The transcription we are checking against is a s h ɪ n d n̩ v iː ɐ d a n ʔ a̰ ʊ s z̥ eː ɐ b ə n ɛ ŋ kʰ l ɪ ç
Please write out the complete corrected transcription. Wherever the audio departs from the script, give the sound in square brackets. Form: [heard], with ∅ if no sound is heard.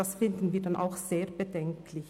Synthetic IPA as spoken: a s [f] ɪ n d n̩ v iː ɐ d a n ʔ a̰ ʊ [x] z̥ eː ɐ b ə [d] ɛ ŋ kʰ l ɪ ç